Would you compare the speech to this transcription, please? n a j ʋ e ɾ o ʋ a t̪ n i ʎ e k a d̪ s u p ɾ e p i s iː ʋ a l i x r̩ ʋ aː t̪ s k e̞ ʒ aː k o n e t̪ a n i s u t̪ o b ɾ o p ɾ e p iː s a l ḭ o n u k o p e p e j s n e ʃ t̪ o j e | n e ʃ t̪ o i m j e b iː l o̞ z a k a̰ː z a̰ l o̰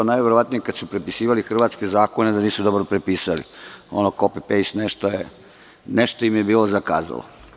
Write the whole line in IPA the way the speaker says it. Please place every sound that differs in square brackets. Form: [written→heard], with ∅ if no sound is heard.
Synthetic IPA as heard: n a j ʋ e ɾ o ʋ a t̪ n i [ʎ→j] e k a d̪ s u p ɾ e p i s iː ʋ a l i x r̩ ʋ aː t̪ s k e̞ [ʒ→z] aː k o n e [t̪→d̪] a n [i→iː] s u [t̪→d̪] o b ɾ o p ɾ e p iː s a l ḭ o n [u→o] k o p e p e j s n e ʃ t̪ o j e | n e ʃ t̪ o i m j e b iː l o̞ z a k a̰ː z a̰ l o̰